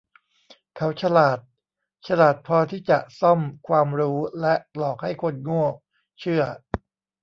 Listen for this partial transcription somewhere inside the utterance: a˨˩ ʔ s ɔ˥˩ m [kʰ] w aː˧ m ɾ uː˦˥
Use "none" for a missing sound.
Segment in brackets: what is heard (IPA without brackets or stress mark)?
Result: kʰ